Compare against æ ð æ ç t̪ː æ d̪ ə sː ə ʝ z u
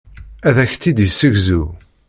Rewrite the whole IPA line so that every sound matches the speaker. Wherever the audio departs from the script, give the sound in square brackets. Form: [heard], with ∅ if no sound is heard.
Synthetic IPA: æ ð æ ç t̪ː [i] d̪ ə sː ə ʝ z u